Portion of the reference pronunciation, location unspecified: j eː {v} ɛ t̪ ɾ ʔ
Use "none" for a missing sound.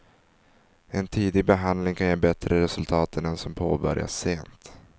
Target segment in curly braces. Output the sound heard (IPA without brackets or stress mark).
b